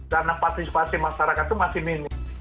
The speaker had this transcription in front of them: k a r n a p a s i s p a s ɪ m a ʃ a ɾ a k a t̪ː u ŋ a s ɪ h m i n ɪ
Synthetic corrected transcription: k a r n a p a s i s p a s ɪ m a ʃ a ɾ a k a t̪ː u m a s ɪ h m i n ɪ